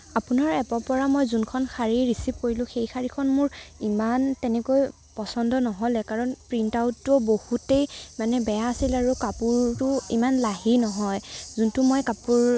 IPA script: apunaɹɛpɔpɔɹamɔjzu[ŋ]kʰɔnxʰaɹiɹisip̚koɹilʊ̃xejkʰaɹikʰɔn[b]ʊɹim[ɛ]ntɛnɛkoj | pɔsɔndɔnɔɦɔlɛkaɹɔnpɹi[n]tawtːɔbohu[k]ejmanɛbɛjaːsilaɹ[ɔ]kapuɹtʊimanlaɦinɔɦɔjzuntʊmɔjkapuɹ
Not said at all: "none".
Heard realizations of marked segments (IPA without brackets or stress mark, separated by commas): n, m, a, n, t, u